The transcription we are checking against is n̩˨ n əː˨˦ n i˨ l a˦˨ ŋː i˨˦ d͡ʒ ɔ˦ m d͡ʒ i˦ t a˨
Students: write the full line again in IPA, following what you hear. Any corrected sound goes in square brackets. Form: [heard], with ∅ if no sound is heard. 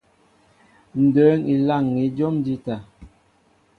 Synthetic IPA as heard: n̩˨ [d] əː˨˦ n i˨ l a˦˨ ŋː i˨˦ d͡ʒ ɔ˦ m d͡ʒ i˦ t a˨

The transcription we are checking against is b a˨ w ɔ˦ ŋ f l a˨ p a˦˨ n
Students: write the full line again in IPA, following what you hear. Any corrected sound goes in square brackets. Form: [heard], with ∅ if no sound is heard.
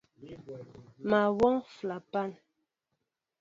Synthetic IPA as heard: [m] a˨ w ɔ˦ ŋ f l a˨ p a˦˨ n

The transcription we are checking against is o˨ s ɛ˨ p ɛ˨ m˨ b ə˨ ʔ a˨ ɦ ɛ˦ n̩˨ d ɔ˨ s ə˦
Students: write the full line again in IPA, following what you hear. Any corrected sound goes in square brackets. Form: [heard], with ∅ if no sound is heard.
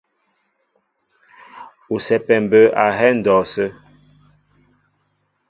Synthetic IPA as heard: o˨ s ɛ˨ p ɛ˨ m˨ b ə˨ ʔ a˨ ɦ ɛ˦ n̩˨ d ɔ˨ s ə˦

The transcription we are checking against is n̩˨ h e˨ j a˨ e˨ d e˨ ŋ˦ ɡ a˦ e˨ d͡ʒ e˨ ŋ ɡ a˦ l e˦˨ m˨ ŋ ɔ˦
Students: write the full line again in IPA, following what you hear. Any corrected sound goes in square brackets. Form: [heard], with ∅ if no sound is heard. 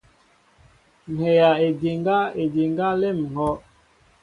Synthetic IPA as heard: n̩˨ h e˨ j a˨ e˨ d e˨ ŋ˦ ɡ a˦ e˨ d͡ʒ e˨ ŋ ɡ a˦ l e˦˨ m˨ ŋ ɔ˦

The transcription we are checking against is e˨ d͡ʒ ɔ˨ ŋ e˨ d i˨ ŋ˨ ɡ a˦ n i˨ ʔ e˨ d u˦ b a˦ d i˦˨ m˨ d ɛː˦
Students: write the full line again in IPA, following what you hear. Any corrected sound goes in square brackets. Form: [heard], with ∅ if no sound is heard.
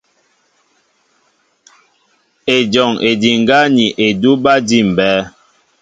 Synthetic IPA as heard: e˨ d͡ʒ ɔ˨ ŋ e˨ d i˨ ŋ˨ ɡ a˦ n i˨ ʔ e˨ d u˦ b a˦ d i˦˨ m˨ [b] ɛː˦

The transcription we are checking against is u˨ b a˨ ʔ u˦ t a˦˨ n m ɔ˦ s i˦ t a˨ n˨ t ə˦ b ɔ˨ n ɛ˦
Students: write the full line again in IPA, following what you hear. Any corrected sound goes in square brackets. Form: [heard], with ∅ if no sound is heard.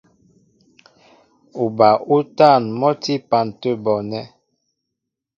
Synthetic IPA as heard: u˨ b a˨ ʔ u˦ t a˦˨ n m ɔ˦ [t] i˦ [p] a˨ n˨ t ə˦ b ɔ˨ n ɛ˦

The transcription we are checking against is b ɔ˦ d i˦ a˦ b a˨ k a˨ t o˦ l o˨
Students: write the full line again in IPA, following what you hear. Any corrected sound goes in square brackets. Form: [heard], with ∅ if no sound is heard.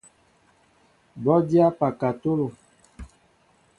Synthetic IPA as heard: b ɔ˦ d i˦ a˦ [p] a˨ k a˨ t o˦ l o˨

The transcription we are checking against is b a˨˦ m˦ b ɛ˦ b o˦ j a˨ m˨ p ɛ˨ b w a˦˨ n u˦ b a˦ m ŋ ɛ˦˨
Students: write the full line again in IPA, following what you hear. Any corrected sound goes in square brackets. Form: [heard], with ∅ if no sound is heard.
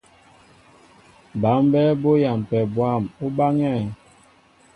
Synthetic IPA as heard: b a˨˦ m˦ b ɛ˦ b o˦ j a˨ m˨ p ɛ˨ b w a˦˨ [m] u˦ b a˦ [∅] ŋ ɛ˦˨

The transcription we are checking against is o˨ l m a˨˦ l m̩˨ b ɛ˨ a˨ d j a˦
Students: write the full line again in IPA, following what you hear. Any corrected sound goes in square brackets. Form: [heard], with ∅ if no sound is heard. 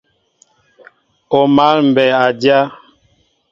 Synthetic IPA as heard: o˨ [∅] m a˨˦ l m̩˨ b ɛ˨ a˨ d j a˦

